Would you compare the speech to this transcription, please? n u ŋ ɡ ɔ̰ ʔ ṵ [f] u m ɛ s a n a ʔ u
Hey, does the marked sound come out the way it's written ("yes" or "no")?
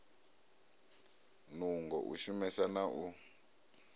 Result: no